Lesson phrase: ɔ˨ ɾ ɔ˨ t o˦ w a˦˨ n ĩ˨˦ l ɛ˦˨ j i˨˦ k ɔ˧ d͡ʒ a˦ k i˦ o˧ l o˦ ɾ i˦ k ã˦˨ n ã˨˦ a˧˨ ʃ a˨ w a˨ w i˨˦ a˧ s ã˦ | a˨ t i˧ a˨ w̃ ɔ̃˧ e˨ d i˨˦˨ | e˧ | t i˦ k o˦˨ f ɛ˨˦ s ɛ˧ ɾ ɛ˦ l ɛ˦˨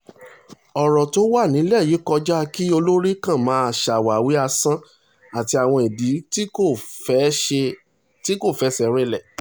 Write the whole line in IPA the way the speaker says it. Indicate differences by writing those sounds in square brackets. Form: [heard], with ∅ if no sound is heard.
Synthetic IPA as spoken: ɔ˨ ɾ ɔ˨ t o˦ w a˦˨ n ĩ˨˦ l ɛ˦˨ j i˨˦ k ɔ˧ d͡ʒ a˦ k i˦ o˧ l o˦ ɾ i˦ k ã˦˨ [m] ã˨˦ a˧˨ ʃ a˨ w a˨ w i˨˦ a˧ s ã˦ | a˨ t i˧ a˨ w̃ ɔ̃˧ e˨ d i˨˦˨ | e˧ | t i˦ k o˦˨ f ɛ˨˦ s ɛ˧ ɾ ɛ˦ l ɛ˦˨

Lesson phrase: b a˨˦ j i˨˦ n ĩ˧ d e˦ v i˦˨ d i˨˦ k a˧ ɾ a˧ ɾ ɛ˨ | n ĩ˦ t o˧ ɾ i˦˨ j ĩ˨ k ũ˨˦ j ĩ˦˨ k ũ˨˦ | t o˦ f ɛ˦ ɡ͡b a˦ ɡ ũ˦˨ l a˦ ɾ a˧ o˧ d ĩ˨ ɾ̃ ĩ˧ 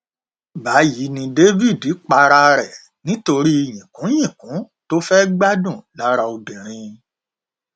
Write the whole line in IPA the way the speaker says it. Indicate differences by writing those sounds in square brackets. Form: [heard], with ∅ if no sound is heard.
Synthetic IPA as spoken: b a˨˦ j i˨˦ n ĩ˧ d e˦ v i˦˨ d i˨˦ [k͡p] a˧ ɾ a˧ ɾ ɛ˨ | n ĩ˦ t o˧ ɾ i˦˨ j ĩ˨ k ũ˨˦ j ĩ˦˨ k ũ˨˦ | t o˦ f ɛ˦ ɡ͡b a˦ [d] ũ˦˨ l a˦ ɾ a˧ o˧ d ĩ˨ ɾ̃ ĩ˧

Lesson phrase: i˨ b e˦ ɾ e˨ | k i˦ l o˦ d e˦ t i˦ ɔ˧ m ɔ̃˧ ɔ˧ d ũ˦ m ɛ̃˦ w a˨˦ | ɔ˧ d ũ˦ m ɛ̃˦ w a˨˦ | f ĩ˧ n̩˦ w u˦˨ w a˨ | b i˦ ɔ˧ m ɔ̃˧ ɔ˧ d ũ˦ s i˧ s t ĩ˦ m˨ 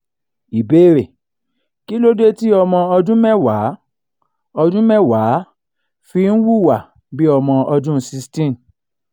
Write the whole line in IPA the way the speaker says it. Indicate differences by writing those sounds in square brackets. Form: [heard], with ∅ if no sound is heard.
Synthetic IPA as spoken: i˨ b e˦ ɾ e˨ | k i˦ l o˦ d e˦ t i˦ ɔ˧ m ɔ̃˧ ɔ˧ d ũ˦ m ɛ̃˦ w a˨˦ | ɔ˧ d ũ˦ m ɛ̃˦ w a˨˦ | f [i˧] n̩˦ w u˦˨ w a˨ | b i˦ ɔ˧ m ɔ̃˧ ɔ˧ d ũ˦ s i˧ s t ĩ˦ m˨

